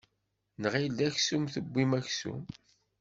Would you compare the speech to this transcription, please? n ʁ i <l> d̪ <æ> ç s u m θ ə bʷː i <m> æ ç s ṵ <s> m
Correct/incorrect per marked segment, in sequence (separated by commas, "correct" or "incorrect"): correct, correct, correct, incorrect